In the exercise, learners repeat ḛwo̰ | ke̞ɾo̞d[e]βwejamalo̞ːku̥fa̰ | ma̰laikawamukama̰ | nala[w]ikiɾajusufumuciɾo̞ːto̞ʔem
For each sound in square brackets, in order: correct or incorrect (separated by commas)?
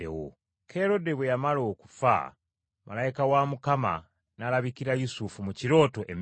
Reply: correct, incorrect